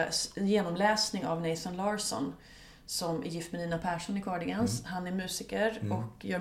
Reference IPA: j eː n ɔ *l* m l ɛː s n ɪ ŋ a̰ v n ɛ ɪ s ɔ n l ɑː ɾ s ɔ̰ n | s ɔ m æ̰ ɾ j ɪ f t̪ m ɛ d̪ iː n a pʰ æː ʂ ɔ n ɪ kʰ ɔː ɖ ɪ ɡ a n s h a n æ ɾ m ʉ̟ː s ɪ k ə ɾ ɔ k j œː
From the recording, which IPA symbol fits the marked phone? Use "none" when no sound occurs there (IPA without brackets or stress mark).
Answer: none